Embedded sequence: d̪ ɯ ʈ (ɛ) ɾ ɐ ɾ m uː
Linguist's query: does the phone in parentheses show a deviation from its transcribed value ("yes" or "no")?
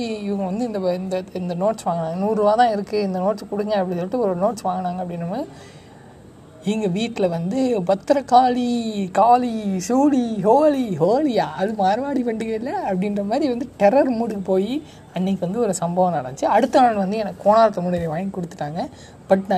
no